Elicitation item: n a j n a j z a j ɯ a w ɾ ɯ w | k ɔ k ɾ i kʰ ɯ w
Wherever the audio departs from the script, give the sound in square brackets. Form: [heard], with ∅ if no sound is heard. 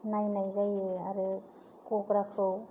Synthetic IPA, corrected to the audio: n a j n a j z a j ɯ a [∅] ɾ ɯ [∅] | k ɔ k ɾ [a] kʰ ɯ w